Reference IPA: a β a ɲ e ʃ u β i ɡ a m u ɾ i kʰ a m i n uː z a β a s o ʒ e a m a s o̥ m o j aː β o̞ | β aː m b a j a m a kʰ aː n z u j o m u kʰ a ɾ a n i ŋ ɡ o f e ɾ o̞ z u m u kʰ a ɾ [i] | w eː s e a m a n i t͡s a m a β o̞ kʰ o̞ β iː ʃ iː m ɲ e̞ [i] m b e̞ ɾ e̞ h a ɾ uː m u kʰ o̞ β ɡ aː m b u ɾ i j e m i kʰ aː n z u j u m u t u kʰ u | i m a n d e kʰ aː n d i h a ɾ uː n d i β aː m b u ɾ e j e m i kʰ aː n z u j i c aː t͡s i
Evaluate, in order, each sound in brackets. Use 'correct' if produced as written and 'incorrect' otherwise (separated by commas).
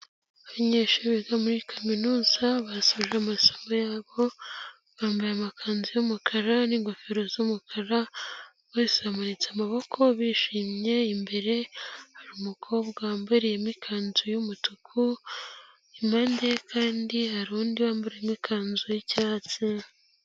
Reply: incorrect, correct